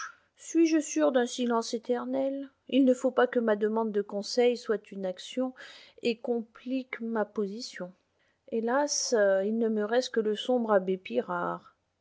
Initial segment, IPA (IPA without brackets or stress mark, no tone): s